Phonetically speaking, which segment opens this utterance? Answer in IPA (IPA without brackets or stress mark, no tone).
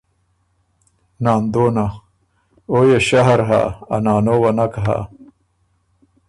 n